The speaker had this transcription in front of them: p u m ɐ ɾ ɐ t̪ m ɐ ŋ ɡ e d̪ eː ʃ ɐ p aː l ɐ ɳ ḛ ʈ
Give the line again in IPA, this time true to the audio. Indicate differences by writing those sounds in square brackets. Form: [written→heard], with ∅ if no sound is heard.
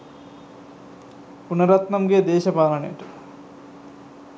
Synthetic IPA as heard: p u [m→n] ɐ ɾ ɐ t̪ [m→n] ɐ [ŋ→m] ɡ e d̪ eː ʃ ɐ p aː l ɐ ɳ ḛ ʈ